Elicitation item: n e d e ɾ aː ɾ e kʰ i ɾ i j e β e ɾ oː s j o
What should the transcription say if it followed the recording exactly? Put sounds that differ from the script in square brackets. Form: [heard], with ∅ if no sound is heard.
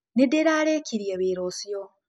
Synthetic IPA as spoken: n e d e ɾ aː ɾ e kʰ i ɾ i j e β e ɾ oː s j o